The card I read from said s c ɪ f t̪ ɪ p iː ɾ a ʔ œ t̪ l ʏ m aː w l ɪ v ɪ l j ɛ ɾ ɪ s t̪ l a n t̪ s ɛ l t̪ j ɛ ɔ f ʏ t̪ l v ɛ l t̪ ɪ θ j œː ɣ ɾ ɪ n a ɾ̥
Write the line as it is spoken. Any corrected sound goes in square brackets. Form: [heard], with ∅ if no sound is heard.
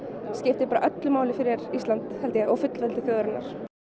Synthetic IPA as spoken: s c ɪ f t̪ ɪ p [aː] ɾ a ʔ œ t̪ l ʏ m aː w l ɪ [f] ɪ [ɾ] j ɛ ɾ [i] s t̪ l a n t̪ [h] ɛ l t̪ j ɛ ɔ f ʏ t̪ l v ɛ l t̪ ɪ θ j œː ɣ ɾ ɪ n a ɾ̥